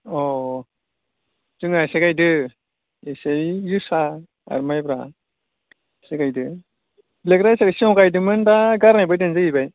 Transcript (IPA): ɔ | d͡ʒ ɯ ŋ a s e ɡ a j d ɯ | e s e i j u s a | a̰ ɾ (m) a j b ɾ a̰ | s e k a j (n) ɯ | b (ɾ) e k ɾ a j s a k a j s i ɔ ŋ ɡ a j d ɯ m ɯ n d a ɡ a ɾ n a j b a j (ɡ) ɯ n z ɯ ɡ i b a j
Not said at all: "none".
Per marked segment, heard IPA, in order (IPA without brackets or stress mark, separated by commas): m, d, l, d